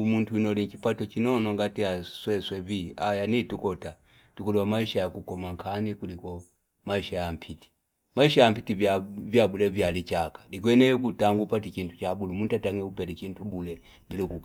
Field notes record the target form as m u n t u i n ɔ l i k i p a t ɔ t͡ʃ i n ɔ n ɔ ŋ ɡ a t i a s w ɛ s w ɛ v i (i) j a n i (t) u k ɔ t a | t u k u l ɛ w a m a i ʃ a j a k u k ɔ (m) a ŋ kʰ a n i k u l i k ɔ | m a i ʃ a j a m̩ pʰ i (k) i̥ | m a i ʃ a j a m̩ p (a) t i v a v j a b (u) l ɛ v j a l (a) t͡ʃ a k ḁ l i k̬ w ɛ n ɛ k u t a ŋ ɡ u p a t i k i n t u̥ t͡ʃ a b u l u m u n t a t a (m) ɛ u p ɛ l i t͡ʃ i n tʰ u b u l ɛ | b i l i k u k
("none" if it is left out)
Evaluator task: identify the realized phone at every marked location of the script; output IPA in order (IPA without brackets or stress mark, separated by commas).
a, t, m, t, i, u, i, ŋ